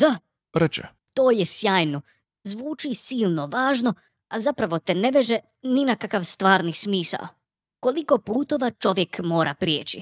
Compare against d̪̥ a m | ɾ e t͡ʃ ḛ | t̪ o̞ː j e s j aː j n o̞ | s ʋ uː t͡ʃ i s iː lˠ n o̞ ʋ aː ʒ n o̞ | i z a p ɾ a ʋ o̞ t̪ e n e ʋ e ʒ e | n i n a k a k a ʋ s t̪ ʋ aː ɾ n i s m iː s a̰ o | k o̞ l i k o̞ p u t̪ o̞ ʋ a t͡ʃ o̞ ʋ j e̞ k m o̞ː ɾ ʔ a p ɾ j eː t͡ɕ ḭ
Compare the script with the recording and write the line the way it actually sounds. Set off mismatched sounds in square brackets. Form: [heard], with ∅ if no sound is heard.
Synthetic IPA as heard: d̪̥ a [∅] | ɾ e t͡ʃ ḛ | t̪ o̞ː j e s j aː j n o̞ | [z] ʋ uː t͡ʃ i s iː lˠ n o̞ ʋ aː ʒ n o̞ | [a] z a p ɾ a ʋ o̞ t̪ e n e ʋ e ʒ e | n i n a k a k a ʋ s t̪ ʋ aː ɾ n i s m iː s a̰ o | k o̞ l i k o̞ p [uː] t̪ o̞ ʋ a t͡ʃ o̞ ʋ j e̞ k m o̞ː ɾ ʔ a p ɾ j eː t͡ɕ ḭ